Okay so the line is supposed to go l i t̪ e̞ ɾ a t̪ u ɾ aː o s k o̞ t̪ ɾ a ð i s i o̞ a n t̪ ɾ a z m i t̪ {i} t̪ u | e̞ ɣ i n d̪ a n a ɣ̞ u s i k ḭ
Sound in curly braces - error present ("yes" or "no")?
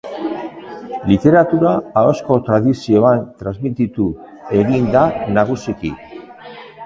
no